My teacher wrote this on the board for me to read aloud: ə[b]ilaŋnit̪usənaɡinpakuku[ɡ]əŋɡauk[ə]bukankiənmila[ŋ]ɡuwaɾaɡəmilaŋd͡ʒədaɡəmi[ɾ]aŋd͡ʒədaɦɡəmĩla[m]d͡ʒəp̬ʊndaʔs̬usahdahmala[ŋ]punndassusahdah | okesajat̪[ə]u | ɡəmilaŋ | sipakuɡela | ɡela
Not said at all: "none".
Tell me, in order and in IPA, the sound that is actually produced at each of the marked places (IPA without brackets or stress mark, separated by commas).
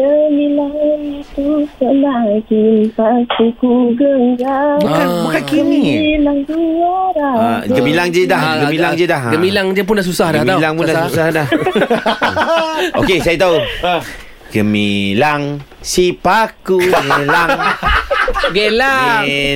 m, ɡ, a, ŋ, l, ŋ, ŋ, a